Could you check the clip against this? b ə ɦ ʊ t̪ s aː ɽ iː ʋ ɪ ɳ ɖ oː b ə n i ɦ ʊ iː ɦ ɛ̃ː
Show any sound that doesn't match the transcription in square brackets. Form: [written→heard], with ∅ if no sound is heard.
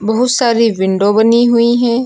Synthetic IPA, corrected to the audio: b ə ɦ ʊ t̪ s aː [ɽ→ɾ] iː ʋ ɪ ɳ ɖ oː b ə n i ɦ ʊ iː ɦ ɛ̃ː